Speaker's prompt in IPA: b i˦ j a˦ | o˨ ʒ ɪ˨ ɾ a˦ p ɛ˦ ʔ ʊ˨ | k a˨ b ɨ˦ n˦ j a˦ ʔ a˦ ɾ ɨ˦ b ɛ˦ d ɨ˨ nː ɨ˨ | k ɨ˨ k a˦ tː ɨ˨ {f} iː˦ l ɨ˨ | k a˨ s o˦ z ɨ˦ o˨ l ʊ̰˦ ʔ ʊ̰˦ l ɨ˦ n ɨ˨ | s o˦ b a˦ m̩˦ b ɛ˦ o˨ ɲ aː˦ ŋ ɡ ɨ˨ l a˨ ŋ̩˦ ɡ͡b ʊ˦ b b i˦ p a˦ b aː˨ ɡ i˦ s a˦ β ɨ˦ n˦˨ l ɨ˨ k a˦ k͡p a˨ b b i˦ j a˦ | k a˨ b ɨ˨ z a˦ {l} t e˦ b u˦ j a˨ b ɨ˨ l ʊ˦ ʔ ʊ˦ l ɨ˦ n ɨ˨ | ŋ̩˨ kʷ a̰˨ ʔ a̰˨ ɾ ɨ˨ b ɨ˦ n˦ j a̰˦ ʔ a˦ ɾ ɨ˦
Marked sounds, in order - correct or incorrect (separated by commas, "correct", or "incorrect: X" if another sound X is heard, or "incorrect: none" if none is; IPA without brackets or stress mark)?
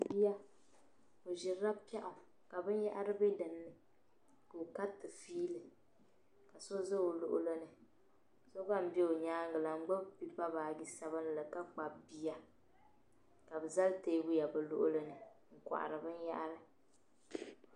correct, correct